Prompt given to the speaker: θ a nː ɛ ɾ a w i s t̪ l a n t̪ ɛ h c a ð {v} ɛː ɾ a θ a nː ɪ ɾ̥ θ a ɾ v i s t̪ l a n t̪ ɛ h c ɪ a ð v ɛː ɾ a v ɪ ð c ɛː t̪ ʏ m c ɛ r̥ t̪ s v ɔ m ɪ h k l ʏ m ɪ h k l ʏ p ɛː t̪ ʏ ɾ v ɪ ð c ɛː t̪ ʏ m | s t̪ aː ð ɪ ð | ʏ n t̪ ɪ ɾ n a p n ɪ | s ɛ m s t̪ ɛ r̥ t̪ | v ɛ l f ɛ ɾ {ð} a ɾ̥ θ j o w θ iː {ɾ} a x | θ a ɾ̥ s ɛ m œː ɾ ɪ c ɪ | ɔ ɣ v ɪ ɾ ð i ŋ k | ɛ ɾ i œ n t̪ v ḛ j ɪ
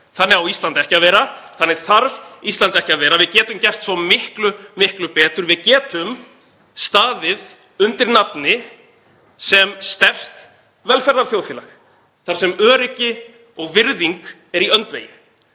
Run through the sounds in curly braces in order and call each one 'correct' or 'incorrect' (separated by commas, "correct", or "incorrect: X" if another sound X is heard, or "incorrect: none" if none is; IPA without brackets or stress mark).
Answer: correct, correct, incorrect: l